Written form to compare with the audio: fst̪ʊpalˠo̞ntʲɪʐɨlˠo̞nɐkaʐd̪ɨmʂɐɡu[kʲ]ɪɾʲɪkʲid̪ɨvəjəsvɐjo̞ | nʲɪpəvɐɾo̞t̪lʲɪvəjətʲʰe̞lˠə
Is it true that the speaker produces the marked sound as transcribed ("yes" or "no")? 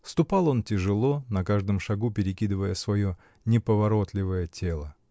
no